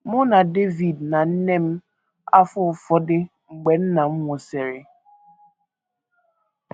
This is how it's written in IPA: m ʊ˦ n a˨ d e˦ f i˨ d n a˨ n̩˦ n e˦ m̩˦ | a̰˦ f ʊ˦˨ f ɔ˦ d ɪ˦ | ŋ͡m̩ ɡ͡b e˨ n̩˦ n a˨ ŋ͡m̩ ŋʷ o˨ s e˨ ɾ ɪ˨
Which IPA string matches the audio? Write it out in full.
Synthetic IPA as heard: m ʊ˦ n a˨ d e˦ v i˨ d n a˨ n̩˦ n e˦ m̩˦ | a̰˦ f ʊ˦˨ f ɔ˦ d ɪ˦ | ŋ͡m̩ ɡ͡b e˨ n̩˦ n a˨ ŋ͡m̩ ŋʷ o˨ s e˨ ɾ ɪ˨